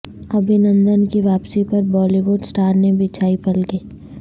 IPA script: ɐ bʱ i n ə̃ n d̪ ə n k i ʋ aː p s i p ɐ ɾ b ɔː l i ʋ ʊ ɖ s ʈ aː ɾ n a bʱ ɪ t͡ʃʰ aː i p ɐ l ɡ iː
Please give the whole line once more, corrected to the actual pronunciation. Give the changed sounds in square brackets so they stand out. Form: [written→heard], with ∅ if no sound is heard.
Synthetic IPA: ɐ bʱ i n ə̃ n d̪ ə n k i ʋ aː p s i p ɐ ɾ b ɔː l i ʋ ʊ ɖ s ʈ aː ɾ n [a→e] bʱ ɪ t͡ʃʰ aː i p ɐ l ɡ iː